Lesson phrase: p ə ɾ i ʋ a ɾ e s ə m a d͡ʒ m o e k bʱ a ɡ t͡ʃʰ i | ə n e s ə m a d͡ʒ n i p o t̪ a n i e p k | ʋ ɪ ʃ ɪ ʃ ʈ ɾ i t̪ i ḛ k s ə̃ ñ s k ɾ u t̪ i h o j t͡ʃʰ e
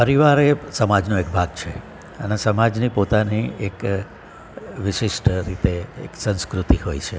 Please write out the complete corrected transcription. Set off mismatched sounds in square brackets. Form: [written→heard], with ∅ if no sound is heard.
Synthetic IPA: p ə ɾ i ʋ a ɾ e s ə m a d͡ʒ [m→n] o e k bʱ a ɡ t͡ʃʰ [i→e] | ə n e s ə m a d͡ʒ n i p o t̪ a n i e [p→∅] k | ʋ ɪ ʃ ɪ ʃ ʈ ɾ i t̪ [i→e] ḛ k s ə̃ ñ s k ɾ u t̪ i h o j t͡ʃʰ e